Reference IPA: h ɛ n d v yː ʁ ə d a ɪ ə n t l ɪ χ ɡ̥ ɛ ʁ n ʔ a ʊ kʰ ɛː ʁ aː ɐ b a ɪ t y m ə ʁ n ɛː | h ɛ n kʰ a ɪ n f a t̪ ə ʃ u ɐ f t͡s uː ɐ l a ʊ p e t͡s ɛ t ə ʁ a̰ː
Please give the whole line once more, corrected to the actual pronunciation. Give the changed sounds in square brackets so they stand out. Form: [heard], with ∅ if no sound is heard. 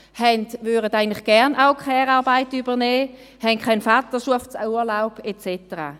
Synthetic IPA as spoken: h ɛ n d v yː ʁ ə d a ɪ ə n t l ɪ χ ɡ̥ ɛ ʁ n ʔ a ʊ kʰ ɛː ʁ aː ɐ b a ɪ t y [b] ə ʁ n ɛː | h ɛ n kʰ a ɪ n f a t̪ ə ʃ u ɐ f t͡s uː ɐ l a ʊ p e t͡s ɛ t ə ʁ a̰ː